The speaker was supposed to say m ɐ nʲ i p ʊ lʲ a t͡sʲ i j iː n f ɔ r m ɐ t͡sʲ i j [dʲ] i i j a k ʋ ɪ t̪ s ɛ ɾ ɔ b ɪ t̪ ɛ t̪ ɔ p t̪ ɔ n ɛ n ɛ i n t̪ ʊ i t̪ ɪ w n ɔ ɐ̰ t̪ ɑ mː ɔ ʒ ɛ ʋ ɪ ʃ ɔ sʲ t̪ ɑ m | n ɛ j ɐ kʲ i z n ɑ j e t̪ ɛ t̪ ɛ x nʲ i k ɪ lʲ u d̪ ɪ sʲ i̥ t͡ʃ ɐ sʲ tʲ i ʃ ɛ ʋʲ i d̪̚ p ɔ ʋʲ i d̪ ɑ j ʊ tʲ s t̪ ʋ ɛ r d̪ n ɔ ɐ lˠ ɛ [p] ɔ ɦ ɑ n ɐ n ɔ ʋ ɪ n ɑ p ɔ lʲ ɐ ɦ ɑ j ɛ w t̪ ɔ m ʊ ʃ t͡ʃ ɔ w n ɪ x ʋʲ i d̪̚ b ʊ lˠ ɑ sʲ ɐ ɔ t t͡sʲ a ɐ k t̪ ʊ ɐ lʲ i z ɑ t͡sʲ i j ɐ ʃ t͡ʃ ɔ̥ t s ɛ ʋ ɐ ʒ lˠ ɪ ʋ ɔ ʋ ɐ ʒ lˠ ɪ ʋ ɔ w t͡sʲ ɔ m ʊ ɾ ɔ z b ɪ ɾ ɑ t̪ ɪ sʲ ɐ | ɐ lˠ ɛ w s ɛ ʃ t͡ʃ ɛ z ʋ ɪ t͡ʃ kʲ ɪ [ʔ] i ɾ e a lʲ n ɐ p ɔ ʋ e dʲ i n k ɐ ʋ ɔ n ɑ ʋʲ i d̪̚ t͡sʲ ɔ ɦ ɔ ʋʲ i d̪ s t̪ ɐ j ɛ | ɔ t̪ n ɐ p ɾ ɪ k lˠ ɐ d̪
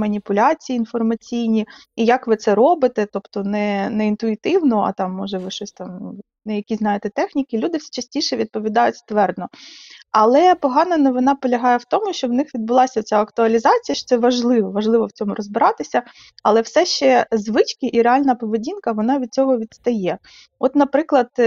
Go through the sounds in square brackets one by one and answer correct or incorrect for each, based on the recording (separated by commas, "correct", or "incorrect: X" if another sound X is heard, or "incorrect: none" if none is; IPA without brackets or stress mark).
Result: incorrect: nʲ, correct, correct